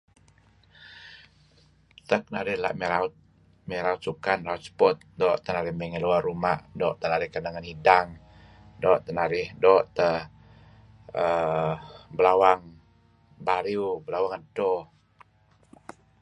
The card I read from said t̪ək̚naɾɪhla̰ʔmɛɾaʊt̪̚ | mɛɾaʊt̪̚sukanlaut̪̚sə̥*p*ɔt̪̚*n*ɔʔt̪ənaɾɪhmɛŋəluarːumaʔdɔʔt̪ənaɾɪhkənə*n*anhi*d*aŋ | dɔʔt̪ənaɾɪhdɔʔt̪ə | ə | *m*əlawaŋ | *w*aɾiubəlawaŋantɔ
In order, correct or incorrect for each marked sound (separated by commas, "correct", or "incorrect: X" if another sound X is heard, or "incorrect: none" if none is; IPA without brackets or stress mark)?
correct, incorrect: d, incorrect: ŋ, correct, incorrect: b, incorrect: b